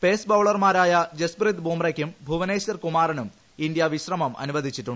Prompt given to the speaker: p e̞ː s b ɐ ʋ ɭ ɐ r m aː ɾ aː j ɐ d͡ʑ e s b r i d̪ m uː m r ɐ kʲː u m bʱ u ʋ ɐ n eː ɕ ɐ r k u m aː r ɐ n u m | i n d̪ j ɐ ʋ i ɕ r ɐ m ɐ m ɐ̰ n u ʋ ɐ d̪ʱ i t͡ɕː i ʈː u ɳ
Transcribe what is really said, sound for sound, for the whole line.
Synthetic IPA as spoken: p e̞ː s b ɐ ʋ ɭ ɐ r m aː ɾ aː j ɐ d͡ʑ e s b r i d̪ b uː m r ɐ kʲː u m bʱ u ʋ ɐ n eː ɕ ɐ r k u m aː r ɐ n u m | i n d̪ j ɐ ʋ i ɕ r ɐ m ɐ m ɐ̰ n u ʋ ɐ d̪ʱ i t͡ɕː i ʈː u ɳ